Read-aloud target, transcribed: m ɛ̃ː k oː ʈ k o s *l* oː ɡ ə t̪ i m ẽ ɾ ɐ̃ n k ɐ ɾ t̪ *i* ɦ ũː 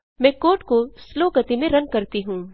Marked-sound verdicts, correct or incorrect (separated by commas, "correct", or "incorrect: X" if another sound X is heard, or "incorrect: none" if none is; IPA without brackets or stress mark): correct, correct